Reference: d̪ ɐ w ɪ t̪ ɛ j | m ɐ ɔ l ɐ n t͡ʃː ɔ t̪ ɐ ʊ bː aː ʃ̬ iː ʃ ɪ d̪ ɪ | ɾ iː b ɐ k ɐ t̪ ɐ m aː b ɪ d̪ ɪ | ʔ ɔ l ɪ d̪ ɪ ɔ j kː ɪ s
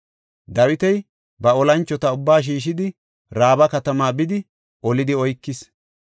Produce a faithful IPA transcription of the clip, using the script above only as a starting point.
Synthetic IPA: d̪ ɐ w ɪ t̪ ɛ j | b ɐ ɔ l ɐ n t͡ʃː ɔ t̪ ɐ ʊ bː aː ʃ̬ iː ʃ ɪ d̪ ɪ | ɾ aː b ɐ k ɐ t̪ ɐ m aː b ɪ d̪ ɪ | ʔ ɔ l ɪ d̪ ɪ ɔ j kː ɪ s